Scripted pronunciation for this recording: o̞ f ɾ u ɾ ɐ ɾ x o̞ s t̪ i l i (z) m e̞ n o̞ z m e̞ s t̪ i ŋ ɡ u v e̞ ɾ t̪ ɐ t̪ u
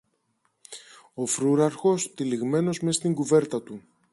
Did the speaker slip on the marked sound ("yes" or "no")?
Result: yes